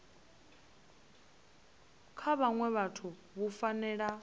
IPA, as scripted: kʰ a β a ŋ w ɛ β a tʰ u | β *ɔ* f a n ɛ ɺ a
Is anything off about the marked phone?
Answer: yes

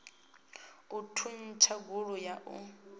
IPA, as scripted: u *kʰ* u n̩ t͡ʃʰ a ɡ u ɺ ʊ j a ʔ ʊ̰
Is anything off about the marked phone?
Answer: yes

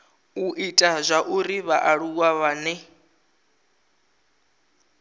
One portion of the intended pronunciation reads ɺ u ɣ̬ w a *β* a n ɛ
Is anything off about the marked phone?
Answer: no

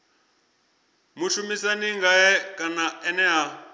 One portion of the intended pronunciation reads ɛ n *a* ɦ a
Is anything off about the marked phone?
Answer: yes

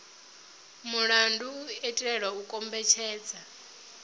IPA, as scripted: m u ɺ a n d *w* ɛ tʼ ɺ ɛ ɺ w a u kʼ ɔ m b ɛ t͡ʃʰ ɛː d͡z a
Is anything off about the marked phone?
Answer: yes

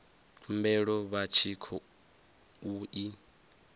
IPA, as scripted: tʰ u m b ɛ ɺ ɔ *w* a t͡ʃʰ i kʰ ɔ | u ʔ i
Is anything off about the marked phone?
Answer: yes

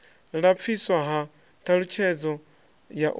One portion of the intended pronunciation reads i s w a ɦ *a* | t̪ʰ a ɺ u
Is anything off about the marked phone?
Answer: no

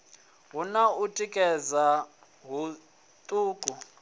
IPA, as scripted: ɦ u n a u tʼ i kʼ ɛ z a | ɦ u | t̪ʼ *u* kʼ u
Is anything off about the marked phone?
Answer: yes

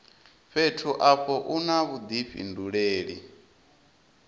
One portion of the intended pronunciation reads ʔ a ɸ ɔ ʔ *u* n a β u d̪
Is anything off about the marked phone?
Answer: no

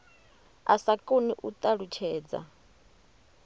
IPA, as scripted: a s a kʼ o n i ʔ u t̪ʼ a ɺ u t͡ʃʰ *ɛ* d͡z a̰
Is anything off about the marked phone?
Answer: yes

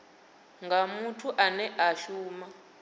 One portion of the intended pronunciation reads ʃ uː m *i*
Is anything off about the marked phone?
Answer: yes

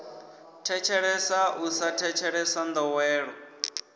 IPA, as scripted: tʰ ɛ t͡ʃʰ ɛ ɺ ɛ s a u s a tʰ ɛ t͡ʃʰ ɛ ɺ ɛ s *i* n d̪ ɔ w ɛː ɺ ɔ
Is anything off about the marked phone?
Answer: yes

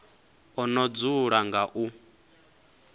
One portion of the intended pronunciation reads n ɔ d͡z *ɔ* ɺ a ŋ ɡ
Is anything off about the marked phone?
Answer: yes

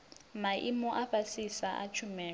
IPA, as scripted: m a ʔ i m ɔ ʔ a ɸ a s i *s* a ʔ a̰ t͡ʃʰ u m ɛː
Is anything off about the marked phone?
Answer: no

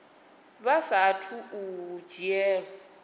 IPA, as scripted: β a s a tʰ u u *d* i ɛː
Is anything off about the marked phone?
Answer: yes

